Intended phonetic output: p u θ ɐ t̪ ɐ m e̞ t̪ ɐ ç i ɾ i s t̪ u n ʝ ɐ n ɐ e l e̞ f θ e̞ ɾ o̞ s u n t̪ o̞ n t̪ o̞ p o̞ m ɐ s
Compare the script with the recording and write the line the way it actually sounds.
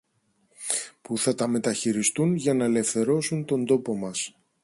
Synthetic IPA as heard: p u θ ɐ t̪ ɐ m e̞ t̪ ɐ ç i ɾ i s t̪ u n ʝ ɐ n ɐ e l e̞ f θ e̞ ɾ o̞ s u n t̪ o̞ n d̪ o̞ p o̞ m ɐ s